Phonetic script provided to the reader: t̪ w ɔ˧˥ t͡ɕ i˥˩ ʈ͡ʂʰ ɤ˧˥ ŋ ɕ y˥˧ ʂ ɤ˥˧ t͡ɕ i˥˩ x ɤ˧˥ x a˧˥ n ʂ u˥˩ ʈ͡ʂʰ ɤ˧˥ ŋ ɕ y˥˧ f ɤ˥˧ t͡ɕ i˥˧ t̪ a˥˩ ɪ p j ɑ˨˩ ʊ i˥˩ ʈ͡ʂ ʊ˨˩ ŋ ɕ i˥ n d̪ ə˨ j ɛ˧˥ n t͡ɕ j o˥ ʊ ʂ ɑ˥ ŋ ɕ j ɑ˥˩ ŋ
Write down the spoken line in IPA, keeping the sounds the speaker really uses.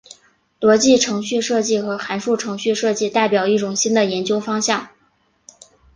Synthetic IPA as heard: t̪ w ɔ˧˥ t͡ɕ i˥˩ ʈ͡ʂʰ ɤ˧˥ ŋ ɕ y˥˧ ʂ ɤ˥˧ t͡ɕ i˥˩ x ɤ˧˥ x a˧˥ n ʂ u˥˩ ʈ͡ʂʰ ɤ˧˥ ŋ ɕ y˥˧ ʂ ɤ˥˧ t͡ɕ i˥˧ t̪ a˥˩ ɪ p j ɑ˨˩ ʊ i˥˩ ʈ͡ʂ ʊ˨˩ ŋ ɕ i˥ n d̪ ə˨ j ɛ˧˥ n t͡ɕ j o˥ ʊ f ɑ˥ ŋ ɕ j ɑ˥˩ ŋ